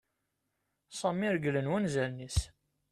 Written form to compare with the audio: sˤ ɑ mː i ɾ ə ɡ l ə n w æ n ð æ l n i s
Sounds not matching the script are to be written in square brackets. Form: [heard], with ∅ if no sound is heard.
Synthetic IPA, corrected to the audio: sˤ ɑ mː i ɾ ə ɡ l ə n w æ n [z] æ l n i s